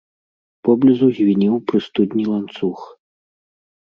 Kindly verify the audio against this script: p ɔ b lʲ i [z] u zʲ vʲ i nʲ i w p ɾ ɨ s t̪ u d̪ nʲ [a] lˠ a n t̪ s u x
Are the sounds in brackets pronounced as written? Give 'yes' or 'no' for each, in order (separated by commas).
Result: yes, no